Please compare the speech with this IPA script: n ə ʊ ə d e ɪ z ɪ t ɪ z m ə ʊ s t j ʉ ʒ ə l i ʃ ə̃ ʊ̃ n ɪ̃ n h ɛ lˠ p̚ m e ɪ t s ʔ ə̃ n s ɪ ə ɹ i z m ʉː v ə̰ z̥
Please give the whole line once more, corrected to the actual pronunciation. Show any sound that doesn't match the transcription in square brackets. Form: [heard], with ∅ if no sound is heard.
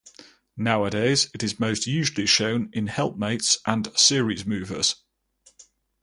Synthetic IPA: n [a] ʊ ə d e ɪ z ɪ t ɪ z m ə ʊ s t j [ʉː] ʒ ə l i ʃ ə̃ ʊ̃ n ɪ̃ n h ɛ lˠ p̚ m e ɪ t s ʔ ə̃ n s ɪ ə ɹ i z m ʉː v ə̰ z̥